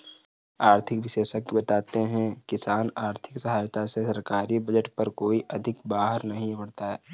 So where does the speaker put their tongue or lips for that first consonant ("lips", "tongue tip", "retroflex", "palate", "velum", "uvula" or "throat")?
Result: tongue tip